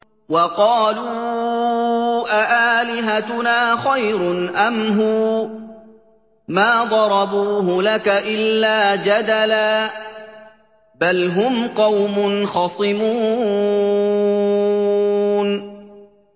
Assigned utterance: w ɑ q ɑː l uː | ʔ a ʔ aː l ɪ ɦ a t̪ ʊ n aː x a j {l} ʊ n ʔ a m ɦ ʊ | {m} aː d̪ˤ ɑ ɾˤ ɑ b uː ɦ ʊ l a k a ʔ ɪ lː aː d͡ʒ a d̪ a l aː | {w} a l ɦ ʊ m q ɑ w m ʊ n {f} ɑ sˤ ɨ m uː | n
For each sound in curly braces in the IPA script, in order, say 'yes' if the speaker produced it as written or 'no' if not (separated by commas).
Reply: no, yes, no, no